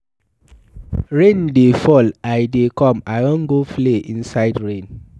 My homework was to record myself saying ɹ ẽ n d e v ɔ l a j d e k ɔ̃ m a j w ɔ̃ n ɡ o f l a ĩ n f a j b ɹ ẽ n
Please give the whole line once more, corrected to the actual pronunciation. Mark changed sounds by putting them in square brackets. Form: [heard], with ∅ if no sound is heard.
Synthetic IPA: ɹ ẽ n d e [f] ɔ l a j d e k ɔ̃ m a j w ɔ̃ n ɡ o f l [e] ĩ n [s] a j [d] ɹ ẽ n

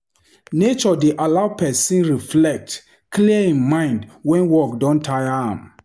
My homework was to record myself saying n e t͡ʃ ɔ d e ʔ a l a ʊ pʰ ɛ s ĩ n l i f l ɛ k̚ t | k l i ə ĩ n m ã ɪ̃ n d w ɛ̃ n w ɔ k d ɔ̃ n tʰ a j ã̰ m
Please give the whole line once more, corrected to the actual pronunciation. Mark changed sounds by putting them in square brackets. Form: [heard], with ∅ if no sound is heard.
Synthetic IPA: n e t͡ʃ ɔ d e ʔ a l a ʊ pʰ ɛ s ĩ n [ɹ] i f l ɛ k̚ t | k l i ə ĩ n m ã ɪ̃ n d w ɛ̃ n w ɔ k d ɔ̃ n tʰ a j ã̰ m

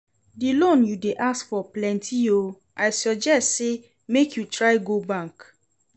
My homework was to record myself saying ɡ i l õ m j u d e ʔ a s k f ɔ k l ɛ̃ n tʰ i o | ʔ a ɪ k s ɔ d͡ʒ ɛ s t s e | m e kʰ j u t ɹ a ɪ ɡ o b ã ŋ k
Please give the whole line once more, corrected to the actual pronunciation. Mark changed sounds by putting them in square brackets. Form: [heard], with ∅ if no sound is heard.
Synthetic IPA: [d] i l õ [n] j u d e ʔ a s k f ɔ [p] l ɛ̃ n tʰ i o | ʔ a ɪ [∅] s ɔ d͡ʒ ɛ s t s e | m e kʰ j u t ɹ a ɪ ɡ o b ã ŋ k

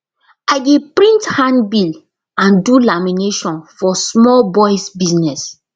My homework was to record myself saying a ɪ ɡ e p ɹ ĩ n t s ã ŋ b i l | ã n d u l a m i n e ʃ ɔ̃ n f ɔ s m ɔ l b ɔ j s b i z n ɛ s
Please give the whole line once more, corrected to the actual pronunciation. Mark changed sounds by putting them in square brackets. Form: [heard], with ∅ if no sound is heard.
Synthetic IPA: a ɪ ɡ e p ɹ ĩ n t [h] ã [n] b i l | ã n d u l a m i n e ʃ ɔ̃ n f ɔ s m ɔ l b ɔ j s b i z n ɛ s

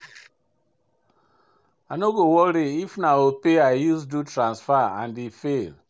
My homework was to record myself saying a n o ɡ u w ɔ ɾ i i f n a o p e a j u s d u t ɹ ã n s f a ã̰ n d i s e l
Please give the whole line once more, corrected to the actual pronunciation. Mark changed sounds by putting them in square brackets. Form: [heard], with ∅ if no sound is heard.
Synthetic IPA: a n o ɡ [o] w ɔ ɾ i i f n a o p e a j u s d u t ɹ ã n s f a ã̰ n d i [f] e l

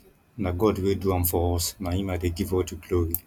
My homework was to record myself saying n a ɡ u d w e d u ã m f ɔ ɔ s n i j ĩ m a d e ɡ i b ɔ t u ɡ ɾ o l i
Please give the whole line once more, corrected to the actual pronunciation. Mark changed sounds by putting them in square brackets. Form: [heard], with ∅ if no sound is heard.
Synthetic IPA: n a ɡ [ɔ] d w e d u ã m f ɔ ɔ s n [a] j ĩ m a d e ɡ i [v] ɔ t u ɡ [l] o [ɹ] i

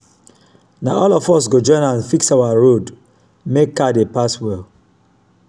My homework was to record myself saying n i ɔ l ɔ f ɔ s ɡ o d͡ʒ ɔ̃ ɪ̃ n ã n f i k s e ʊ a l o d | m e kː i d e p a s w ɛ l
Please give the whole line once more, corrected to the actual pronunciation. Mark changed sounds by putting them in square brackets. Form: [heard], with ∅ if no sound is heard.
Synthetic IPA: n [a] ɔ l ɔ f ɔ s ɡ o d͡ʒ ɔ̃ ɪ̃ n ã n f i k s [a] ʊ a [ɹ] o d | m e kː [a] d e p a s w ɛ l

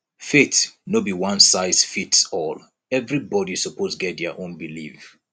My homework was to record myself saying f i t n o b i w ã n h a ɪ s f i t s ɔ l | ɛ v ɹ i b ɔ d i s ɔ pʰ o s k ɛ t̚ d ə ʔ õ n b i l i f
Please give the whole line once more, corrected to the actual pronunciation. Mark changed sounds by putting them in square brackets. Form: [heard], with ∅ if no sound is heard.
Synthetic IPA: f [e] t n o b i w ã n [s] a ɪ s f i t s ɔ l | ɛ v ɹ i b ɔ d i s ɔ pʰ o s [ɡ] ɛ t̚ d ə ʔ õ n b i l i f

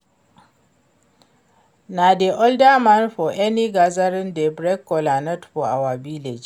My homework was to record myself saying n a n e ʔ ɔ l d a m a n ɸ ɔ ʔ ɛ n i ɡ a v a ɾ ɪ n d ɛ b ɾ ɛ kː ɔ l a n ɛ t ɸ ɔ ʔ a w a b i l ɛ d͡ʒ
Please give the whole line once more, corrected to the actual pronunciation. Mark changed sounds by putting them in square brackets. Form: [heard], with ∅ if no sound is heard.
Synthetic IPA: n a [d] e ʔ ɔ l d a m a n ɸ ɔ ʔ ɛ n i ɡ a [z] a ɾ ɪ n d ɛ b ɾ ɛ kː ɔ l a n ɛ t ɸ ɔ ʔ a w a b i l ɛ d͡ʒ

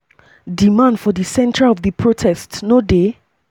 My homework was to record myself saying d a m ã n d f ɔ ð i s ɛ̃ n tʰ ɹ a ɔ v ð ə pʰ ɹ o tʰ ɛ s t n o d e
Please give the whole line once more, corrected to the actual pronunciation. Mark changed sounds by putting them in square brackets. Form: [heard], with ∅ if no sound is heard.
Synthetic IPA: d [i] m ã n d f ɔ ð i s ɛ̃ n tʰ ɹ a ɔ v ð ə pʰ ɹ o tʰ ɛ s t n o d e

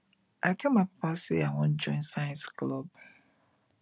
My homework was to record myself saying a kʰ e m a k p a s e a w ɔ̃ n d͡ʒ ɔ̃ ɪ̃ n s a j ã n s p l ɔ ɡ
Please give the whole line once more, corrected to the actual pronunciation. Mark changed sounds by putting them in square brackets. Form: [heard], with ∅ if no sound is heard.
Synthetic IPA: a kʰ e m a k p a s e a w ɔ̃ n d͡ʒ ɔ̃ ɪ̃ n s a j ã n s [k] l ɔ [b]

